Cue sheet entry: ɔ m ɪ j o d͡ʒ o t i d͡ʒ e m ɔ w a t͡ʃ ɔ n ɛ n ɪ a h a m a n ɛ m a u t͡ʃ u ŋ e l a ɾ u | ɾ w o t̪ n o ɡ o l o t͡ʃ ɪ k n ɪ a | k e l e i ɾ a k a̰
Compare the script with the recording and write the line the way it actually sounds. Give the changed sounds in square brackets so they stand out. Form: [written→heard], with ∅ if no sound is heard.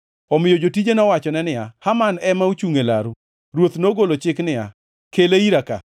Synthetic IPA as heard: ɔ m ɪ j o d͡ʒ o t i d͡ʒ e [m→n] ɔ w a t͡ʃ ɔ n ɛ n ɪ a h a m a n ɛ m a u t͡ʃ u ŋ e l a ɾ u | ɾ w o t̪ n o ɡ o l o t͡ʃ ɪ k n ɪ a | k e l e i ɾ a k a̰